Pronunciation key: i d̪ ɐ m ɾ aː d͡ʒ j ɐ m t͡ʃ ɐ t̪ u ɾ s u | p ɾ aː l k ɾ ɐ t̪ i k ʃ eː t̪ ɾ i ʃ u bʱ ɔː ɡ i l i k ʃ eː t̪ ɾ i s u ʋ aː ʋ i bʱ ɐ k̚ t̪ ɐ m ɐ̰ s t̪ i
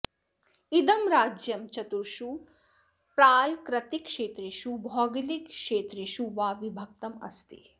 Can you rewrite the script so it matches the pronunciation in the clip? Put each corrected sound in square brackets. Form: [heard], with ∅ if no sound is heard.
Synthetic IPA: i d̪ ɐ m ɾ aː d͡ʒ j ɐ m t͡ʃ ɐ t̪ u ɾ [ʃ] u | p ɾ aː l k ɾ ɐ t̪ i k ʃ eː t̪ ɾ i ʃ u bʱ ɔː ɡ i l i k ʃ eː t̪ ɾ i [ʃ] u ʋ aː ʋ i bʱ ɐ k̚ t̪ ɐ m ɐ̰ s t̪ i